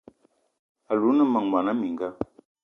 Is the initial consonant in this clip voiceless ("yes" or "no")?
no